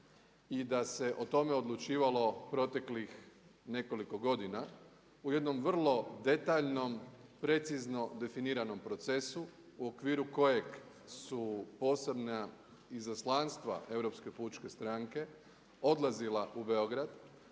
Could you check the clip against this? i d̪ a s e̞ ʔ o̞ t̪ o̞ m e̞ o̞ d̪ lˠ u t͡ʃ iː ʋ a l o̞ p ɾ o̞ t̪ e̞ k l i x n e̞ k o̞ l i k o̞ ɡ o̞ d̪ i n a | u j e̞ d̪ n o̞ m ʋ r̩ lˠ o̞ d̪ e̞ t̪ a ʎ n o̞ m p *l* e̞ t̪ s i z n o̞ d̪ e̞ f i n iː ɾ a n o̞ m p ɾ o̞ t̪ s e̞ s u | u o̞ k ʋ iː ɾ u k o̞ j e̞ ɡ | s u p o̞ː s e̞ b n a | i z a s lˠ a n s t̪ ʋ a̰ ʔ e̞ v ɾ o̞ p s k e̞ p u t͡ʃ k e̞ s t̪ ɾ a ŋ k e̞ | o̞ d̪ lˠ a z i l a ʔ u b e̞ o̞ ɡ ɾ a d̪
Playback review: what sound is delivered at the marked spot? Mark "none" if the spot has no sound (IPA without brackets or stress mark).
ɾ